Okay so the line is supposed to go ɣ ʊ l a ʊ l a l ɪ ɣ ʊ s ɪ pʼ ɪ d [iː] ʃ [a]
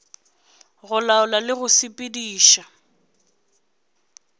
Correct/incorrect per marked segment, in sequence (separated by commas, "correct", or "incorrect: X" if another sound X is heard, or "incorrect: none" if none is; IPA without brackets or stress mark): correct, correct